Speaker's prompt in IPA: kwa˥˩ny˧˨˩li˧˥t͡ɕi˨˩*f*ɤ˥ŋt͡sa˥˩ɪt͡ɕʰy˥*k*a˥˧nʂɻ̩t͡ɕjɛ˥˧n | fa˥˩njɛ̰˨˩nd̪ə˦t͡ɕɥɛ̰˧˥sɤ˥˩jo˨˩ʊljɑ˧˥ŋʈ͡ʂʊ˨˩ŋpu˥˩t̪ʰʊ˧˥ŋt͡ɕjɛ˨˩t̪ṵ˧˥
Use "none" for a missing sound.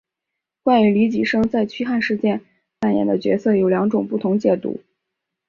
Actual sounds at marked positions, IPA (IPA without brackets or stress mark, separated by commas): ʂ, x